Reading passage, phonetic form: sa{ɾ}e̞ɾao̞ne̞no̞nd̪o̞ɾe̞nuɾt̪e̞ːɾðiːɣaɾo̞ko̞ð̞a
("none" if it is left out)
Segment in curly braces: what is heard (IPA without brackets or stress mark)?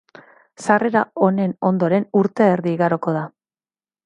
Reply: r